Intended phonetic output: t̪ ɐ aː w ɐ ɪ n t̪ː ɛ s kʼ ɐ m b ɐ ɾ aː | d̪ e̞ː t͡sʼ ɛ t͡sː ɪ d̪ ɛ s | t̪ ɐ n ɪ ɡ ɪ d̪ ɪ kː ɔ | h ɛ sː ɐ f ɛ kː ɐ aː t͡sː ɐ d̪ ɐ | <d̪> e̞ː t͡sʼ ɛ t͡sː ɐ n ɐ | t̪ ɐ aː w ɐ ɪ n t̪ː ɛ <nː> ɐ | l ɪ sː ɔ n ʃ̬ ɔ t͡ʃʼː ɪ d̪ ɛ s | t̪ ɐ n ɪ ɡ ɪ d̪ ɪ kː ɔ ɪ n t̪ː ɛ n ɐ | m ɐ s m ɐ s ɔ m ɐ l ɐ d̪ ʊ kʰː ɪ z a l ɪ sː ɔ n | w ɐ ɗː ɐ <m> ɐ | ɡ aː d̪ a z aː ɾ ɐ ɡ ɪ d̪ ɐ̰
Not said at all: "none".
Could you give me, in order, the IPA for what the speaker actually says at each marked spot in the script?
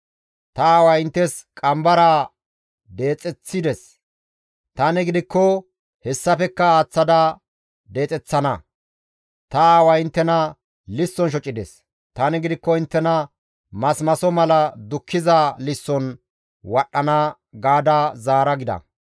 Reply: d̪, n, n

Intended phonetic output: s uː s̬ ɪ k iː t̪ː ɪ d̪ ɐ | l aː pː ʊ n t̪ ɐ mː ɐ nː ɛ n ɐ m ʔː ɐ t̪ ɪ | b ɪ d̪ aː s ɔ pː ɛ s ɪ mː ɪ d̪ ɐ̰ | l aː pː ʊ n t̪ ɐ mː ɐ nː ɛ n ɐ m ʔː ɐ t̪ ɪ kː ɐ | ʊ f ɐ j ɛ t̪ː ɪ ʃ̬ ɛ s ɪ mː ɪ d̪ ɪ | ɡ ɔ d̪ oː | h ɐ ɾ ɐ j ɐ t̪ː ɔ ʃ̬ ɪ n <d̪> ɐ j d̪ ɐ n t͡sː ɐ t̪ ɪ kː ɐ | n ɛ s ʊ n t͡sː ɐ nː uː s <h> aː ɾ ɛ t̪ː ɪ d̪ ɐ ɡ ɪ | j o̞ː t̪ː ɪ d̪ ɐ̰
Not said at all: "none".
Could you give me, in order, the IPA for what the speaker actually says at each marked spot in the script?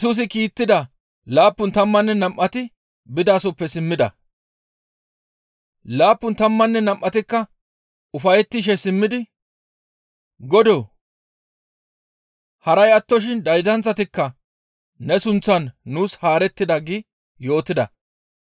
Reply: d̪, h

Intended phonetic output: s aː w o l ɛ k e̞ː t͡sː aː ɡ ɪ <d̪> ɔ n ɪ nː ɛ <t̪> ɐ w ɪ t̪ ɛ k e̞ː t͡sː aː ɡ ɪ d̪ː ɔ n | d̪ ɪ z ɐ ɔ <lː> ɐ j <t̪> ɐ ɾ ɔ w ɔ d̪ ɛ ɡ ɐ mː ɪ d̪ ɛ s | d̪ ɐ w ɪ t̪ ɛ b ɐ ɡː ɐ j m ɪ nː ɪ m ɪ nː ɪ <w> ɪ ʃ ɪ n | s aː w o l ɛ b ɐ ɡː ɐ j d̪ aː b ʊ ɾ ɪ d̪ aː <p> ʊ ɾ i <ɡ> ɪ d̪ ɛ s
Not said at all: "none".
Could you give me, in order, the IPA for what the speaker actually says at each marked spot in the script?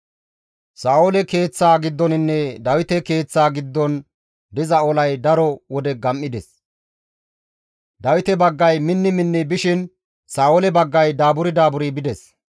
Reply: d̪ː, d̪, l, d̪, b, b, b

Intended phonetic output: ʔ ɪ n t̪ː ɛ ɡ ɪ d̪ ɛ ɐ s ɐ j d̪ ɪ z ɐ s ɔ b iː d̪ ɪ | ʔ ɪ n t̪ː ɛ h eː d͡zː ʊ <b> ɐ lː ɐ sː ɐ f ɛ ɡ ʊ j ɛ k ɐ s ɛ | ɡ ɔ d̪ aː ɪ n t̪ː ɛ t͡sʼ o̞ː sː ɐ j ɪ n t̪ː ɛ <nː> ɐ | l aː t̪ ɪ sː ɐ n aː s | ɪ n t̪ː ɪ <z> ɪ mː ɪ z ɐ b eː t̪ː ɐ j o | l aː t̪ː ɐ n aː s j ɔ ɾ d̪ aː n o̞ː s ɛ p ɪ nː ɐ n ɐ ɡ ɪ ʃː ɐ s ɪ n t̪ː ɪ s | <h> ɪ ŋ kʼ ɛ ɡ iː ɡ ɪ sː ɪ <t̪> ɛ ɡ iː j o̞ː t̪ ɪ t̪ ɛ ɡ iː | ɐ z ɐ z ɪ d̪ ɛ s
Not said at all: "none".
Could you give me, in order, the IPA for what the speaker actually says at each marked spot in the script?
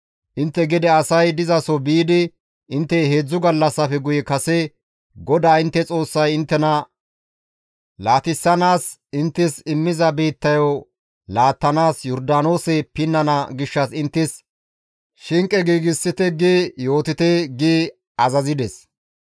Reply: ɡ, n, s, ʃ, t̪

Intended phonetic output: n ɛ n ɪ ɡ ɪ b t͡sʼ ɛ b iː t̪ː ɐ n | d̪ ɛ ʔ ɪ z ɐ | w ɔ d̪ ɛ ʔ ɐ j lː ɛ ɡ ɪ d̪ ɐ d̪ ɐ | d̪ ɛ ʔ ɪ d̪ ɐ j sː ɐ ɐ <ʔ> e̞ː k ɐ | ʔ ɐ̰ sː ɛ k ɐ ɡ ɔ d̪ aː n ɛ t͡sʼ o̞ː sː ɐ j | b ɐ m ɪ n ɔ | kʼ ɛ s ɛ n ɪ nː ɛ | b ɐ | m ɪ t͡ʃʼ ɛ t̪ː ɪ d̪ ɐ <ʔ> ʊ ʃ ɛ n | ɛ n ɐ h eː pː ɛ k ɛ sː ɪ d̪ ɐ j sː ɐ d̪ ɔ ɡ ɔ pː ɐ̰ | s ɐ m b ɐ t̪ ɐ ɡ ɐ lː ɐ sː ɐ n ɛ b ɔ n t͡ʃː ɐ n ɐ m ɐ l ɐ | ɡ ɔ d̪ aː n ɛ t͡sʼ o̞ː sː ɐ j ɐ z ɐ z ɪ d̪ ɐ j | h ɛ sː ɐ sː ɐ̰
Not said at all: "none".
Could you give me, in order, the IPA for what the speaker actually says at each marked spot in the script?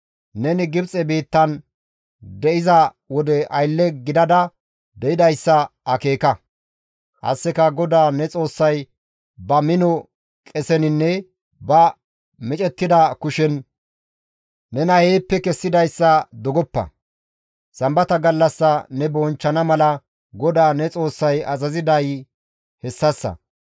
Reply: k, k

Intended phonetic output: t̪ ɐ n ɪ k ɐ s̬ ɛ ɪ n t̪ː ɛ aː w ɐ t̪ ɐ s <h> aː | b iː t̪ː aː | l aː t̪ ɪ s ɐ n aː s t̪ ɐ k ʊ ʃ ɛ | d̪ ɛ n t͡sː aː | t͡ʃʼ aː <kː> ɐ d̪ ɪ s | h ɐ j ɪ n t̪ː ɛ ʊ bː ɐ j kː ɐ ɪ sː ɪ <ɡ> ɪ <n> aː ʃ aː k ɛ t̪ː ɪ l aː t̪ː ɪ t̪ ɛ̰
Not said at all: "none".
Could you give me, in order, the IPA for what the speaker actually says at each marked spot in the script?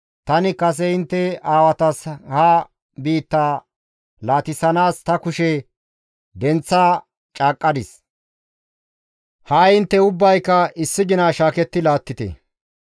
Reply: h, kʼː, ɡ, n

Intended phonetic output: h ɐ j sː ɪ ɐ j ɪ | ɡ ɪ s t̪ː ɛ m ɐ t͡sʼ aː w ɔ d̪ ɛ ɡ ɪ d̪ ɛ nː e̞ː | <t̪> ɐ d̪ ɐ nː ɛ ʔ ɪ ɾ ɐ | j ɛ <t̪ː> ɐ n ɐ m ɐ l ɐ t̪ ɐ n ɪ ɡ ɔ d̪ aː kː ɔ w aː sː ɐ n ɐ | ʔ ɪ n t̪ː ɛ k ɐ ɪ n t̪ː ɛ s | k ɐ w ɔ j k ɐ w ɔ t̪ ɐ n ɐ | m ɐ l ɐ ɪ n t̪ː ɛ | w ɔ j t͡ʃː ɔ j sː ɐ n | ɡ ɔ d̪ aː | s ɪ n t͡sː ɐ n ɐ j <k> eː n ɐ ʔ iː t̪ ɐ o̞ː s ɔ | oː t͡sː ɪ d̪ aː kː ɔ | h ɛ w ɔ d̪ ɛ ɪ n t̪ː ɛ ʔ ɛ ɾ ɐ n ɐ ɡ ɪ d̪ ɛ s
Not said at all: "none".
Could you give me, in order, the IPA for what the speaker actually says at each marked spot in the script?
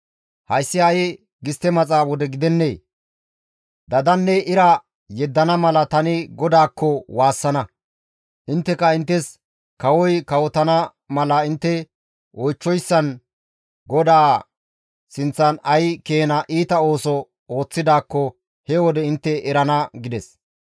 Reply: d̪, d̪ː, k

